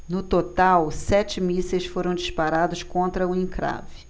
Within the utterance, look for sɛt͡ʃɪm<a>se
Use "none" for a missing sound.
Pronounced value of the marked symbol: i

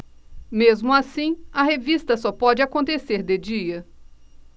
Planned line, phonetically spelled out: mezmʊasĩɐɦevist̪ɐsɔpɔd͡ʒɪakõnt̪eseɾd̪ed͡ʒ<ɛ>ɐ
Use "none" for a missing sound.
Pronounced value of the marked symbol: i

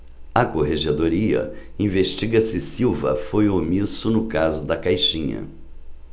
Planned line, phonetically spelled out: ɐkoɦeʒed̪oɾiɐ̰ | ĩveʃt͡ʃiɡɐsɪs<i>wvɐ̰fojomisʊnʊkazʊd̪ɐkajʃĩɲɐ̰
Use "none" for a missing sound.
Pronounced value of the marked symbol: i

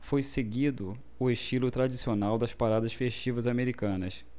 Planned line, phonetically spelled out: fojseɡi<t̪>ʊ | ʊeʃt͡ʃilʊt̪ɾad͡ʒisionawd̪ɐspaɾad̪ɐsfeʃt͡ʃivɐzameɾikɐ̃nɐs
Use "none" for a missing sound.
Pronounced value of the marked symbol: d̪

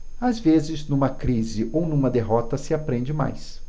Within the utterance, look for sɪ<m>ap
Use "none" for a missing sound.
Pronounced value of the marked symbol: none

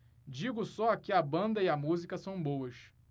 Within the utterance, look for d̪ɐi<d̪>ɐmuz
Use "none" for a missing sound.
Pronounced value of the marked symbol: none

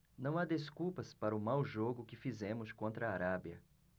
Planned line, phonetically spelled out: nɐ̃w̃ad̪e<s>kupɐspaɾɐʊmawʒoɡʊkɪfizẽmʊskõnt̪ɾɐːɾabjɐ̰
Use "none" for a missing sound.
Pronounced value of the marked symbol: s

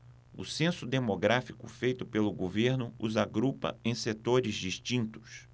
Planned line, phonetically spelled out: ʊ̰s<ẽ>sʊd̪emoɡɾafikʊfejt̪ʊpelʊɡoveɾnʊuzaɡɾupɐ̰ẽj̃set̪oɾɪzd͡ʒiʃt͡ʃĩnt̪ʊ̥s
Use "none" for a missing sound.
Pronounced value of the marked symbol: ẽ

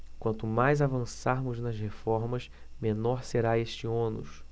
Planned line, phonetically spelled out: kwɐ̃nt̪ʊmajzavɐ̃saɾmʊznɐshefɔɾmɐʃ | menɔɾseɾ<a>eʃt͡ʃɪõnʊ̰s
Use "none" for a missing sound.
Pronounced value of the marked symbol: a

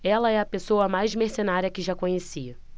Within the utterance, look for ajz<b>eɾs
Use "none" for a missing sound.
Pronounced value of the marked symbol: m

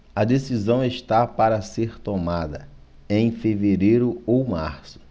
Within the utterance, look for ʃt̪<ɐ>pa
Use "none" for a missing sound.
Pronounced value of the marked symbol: a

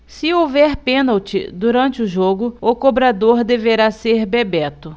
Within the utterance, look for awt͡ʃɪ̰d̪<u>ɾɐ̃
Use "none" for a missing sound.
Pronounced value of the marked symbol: u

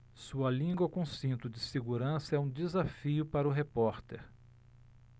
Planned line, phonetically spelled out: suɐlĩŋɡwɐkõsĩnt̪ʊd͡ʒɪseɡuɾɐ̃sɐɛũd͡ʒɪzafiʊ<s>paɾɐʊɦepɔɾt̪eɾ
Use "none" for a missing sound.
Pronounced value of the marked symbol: none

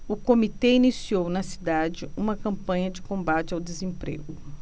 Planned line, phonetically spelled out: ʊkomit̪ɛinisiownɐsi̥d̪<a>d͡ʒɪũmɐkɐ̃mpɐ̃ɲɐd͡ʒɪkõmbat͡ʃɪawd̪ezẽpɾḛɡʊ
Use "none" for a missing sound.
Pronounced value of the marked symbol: a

